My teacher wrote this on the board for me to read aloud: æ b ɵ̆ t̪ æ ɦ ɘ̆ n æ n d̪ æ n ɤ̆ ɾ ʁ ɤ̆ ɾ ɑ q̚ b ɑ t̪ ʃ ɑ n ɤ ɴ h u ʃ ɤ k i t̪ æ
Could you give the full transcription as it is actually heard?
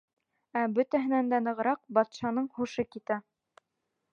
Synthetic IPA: æ b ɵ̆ t̪ æ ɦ ɘ̆ n æ n d̪ æ n ɤ̆ ʁ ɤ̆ ɾ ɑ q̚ b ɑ t̪ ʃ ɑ n ɤ ɴ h u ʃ ɤ k i t̪ æ